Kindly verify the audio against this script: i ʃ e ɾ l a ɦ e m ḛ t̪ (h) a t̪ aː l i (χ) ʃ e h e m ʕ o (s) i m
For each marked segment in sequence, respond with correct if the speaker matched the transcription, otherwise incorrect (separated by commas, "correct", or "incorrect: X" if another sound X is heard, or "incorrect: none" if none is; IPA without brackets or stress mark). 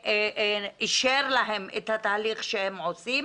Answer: correct, correct, correct